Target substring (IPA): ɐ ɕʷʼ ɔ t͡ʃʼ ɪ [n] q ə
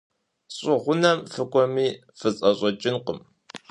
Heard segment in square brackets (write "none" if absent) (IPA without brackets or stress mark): n